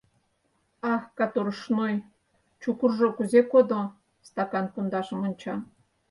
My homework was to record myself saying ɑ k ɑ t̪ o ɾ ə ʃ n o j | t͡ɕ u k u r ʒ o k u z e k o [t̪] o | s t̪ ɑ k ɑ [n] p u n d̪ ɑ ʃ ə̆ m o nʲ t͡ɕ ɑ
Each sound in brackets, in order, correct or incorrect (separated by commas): incorrect, correct